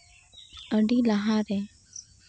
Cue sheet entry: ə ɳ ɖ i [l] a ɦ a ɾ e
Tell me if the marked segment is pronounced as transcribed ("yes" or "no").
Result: yes